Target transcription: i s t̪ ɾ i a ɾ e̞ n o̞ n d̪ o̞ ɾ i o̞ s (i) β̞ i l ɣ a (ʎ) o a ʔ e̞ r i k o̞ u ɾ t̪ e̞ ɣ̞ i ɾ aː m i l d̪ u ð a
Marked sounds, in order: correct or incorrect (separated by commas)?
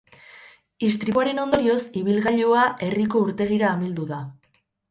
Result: correct, correct